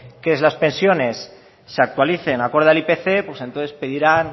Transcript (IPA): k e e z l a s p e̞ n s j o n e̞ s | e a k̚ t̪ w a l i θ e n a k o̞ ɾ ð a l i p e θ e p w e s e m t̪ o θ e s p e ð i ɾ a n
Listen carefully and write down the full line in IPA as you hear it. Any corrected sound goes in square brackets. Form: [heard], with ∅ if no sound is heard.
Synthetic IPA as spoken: k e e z l a s p e̞ n s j o n e̞ [sː] | e a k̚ t̪ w a l i θ e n a k o̞ ɾ ð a l i p e θ e p w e s e [n] t̪ o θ e s p e ð i ɾ a n